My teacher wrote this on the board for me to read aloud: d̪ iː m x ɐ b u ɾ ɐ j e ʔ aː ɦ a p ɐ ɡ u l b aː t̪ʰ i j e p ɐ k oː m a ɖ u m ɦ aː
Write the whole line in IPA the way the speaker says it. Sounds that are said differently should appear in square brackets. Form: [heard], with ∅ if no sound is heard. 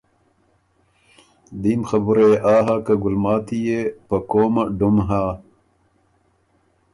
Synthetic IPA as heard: d̪ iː m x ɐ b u ɾ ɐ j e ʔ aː ɦ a [k] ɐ ɡ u l [m] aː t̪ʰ i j e p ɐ k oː m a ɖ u m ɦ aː